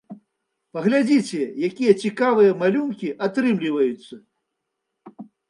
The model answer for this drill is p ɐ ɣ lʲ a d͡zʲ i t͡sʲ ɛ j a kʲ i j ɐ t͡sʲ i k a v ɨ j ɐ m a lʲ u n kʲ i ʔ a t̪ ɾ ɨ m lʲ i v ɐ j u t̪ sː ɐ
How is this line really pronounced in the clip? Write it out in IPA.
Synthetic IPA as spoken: p ɐ ɣ lʲ a d͡zʲ i t͡sʲ ɛ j a kʲ i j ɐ t͡sʲ i k a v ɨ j ɐ m a lʲ u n kʲ i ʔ a t̪ ɾ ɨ m lʲ i v ɐ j u t̪ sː ɐ

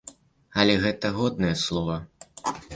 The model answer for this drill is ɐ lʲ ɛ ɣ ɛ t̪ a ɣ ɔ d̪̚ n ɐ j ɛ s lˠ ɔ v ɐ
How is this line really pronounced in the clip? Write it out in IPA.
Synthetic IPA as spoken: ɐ lʲ ɛ ɣ ɛ t̪ ɐ ɣ ɔ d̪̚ n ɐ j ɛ s lˠ ɔ v ɐ

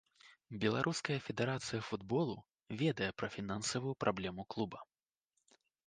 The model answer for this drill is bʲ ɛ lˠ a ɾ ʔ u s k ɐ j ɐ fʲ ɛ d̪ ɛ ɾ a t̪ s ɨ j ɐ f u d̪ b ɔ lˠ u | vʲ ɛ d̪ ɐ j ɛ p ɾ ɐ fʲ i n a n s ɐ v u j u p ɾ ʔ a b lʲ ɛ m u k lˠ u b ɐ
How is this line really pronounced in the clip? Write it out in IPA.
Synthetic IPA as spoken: bʲ ɛ lˠ a ɾ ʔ u s k ɐ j ɐ fʲ ɛ d̪ ɛ ɾ a t̪ s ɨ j ɐ f u d̪ b ɔ lˠ u | vʲ ɛ d̪ ɐ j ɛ p ɾ ɐ fʲ i n a n s ɐ v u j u p ɾ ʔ a b lʲ ɛ m u k lˠ u b ɐ

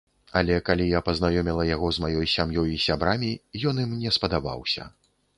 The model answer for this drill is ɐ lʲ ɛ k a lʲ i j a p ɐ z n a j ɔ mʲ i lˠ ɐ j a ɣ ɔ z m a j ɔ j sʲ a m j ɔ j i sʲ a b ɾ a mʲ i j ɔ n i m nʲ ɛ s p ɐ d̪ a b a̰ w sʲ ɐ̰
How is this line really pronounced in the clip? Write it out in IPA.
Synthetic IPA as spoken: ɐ lʲ ɛ k a lʲ i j a p ɐ z n a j ɔ mʲ i lˠ ɐ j a ɣ ɔ z m a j ɔ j sʲ a m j ɔ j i sʲ a b ɾ a mʲ i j ɔ n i m nʲ ɛ s p ɐ d̪ a b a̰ w sʲ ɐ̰

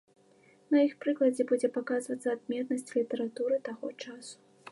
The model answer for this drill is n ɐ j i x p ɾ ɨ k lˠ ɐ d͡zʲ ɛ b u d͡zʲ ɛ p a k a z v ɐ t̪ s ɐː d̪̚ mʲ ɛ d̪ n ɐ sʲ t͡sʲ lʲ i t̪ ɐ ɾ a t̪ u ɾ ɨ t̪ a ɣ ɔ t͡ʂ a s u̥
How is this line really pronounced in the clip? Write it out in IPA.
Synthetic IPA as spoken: n ɐ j i x p ɾ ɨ k lˠ ɐ d͡zʲ ɛ b u d͡zʲ ɛ p a k a z v ɐ t̪ s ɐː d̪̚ mʲ ɛ t̪ n ɐ sʲ t͡sʲ lʲ i t̪ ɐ ɾ a t̪ u ɾ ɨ t̪ a ɣ ɔ t͡ʂ a s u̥

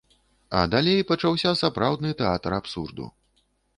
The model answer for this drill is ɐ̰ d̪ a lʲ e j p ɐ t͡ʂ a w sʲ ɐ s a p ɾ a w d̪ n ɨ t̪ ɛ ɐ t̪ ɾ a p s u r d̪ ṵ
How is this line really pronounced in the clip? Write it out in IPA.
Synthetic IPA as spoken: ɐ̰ d̪ a lʲ e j p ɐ t͡ʂ a w sʲ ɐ s a p ɾ a w d̪ n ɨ t̪ ɛ a t̪ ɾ a p s u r d̪ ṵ

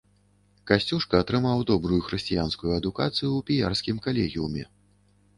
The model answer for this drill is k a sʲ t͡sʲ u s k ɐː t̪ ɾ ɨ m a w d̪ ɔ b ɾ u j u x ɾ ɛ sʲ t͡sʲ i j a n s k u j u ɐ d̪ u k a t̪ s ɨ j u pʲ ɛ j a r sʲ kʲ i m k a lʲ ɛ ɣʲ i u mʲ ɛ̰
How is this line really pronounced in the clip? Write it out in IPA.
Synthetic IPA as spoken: k a sʲ t͡sʲ u ʂ k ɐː t̪ ɾ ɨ m a w d̪ ɔ b ɾ u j u x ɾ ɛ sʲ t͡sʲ i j a n s k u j u ɐ d̪ u k a t̪ s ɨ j u pʲ i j a r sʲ kʲ i m k a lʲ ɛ ɣʲ i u mʲ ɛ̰

